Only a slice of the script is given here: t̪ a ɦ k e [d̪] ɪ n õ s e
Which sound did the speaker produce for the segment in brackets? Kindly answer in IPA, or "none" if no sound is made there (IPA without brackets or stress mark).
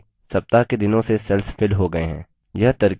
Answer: d̪